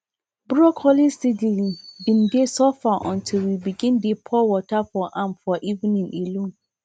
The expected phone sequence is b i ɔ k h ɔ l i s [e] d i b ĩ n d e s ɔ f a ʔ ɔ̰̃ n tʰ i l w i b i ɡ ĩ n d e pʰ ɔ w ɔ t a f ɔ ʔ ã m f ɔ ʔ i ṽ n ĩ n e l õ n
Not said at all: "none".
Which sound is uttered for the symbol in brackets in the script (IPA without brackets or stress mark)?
i